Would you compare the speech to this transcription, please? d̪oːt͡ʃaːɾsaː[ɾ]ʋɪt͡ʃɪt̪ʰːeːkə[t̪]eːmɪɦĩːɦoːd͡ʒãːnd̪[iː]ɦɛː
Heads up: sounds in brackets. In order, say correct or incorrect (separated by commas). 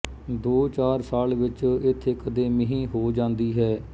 incorrect, incorrect, correct